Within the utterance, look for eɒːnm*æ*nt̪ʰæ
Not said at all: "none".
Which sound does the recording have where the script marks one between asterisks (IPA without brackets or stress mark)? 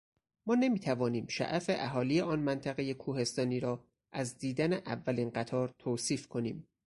æ